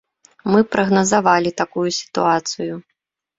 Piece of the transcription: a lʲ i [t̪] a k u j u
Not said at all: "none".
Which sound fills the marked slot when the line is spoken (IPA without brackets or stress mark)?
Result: t̪